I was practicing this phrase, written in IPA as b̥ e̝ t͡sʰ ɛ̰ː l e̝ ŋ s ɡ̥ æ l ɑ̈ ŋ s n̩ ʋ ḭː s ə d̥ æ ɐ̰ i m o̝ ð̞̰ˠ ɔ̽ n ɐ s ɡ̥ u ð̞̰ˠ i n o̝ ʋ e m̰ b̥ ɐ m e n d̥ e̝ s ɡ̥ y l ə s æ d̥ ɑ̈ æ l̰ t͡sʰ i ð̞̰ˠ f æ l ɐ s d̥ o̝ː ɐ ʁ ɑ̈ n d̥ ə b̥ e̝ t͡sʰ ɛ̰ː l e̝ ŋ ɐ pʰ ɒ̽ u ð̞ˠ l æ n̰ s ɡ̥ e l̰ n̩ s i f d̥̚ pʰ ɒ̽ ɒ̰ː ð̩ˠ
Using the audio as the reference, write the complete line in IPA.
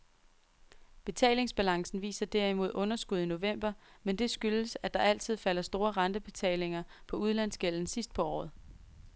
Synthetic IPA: b̥ e̝ t͡sʰ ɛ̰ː l e̝ ŋ s b̥ æ l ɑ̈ ŋ s n̩ ʋ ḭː s ɐ d̥ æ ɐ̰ i m o̝ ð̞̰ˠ ɔ̽ n ɐ s ɡ̥ u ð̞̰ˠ i n o̝ ʋ e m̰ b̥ ɐ m e n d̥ e̝ s ɡ̥ y l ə s æ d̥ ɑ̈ æ l̰ t͡sʰ i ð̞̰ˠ f æ l ɐ s d̥ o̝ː ɐ ʁ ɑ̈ n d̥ ə b̥ e̝ t͡sʰ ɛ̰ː l e̝ ŋ ɐ pʰ ɒ̽ u ð̞ˠ l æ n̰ s ɡ̥ e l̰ n̩ s i s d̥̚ pʰ ɒ̽ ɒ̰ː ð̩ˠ

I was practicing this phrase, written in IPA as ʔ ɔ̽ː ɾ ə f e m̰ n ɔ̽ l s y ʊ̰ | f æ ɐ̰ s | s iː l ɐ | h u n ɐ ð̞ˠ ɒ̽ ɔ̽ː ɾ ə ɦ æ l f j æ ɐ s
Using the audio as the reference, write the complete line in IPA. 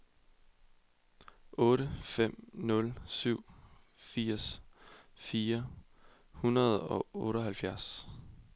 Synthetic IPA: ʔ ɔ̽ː ɾ ə f e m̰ n ɔ̽ l s y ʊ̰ | f i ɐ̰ s | f iː ɐ | h u n ɐ ð̞ˠ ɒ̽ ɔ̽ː ɾ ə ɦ æ l f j æ ɐ s

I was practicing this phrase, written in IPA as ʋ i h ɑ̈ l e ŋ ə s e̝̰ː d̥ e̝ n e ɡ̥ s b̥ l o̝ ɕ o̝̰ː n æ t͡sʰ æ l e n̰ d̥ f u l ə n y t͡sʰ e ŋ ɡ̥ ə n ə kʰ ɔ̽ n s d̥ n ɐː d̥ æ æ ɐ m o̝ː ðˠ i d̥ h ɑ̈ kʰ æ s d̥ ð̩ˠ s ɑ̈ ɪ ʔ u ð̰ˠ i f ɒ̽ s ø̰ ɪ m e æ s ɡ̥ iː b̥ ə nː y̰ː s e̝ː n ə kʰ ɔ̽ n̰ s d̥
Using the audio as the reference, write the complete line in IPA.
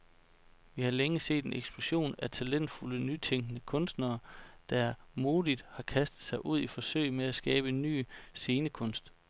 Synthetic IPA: ʋ i h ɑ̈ l e ŋ ə s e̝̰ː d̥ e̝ n e ɡ̥ s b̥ l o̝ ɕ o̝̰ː n æ t͡sʰ æ l e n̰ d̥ f u l ə n y t͡sʰ e ŋ ɡ̥ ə n ə kʰ ɔ̽ n s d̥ n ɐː d̥ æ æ ɐ m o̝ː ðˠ i d̥ h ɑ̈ kʰ æ s d̥ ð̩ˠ s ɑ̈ ɪ ʔ u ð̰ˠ i f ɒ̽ s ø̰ ɪ m e æ s ɡ̥ ɛː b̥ ə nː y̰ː s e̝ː n ə kʰ ɔ̽ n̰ s d̥

